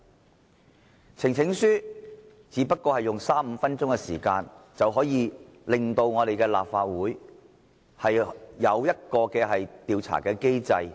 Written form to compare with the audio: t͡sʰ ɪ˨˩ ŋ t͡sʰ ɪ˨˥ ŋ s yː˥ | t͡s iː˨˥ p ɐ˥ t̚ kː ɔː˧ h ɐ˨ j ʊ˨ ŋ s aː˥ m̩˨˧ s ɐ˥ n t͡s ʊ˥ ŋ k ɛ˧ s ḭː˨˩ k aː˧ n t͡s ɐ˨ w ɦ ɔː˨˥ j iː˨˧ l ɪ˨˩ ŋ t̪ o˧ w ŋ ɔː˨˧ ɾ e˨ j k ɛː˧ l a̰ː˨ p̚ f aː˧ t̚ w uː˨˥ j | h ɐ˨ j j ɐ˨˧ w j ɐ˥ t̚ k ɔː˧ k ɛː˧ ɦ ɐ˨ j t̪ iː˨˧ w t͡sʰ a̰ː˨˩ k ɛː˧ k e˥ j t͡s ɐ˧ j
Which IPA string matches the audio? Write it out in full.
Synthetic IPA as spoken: t͡sʰ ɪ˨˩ ŋ t͡sʰ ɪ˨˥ ŋ s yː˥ | t͡s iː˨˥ p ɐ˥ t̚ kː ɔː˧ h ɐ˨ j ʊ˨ ŋ s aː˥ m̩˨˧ f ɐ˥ n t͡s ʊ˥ ŋ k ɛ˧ s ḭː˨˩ k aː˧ n t͡s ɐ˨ w ɦ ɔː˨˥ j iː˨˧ l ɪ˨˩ ŋ t̪ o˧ w ŋ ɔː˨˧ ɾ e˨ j k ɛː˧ l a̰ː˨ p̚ f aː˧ t̚ w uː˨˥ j | h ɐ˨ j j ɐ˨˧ w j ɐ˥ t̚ k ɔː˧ k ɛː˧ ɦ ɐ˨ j t̪ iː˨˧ w t͡sʰ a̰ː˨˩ k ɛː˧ k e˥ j t͡s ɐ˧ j